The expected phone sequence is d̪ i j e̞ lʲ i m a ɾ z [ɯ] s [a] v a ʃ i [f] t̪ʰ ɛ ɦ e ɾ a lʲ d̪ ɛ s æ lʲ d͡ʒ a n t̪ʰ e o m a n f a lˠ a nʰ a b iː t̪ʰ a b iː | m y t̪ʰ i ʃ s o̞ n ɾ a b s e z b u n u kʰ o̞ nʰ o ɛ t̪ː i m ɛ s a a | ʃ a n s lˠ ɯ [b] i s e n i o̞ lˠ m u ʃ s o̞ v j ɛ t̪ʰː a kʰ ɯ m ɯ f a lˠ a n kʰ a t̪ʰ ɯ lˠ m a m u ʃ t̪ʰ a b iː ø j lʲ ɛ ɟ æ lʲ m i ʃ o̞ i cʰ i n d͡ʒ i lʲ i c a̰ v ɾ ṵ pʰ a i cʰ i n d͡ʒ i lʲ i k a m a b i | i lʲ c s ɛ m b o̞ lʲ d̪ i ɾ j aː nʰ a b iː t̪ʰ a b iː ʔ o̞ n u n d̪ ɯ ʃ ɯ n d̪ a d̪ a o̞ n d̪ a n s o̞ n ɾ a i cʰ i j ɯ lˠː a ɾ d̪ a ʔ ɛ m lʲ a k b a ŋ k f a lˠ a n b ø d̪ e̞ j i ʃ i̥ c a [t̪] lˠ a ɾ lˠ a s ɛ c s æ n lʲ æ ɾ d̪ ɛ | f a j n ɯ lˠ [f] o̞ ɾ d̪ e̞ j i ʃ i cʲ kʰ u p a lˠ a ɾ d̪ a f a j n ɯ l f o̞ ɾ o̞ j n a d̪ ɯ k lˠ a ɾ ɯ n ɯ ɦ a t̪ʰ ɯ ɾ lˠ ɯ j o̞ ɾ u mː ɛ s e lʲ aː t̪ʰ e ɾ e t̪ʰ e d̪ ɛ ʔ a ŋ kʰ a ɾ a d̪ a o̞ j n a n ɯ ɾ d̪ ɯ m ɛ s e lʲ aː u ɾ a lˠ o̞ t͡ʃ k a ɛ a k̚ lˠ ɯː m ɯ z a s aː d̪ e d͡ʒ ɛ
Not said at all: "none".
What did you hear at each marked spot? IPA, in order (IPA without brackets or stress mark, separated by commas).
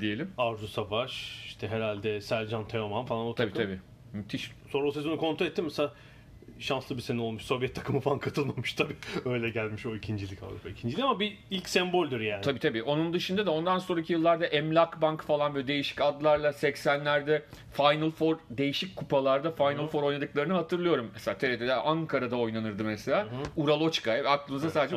u, a, ʃ, b, d̪, f